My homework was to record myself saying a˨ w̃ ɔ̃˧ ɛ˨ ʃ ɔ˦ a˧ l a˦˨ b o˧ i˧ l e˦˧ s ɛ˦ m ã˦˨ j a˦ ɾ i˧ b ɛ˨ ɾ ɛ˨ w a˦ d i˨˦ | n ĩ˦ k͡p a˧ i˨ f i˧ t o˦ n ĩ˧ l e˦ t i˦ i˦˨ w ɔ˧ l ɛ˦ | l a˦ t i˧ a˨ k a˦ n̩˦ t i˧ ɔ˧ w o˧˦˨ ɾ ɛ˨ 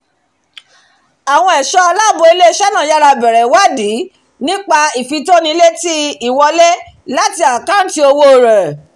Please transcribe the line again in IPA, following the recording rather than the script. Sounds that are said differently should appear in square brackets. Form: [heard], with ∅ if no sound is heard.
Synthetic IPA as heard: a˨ w̃ ɔ̃˧ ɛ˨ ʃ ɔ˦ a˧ l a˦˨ b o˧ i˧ l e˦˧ [ʃ] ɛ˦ [n] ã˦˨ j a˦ ɾ [a˧] b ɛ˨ ɾ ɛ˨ w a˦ d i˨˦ | n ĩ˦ k͡p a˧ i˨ f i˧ t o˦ n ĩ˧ l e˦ t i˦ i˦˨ w ɔ˧ l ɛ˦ | l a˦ t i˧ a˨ k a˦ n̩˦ t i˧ [o˧] w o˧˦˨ ɾ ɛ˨